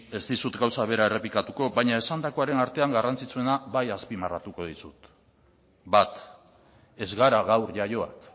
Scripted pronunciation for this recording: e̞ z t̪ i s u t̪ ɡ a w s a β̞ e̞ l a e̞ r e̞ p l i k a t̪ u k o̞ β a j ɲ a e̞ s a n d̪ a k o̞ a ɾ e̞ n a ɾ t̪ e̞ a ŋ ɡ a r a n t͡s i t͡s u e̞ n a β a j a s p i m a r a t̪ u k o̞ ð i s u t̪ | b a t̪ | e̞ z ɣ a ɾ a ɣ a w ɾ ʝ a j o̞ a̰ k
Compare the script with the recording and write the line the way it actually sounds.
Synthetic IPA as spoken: e̞ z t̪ i s u t̪ ɡ a w s a β̞ e̞ ɾ a e̞ r e̞ p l i k a t̪ u k o̞ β a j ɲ a e̞ s a n d̪ a k o̞ a ɾ e̞ n a ɾ t̪ e̞ a ŋ ɡ a r a n t͡s i t͡s u e̞ n a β a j a s p i m a r a t̪ u k o̞ ð i s u t̪ | b a t̪ | e̞ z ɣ a ɾ a ɣ a w ɾ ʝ a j o̞ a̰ k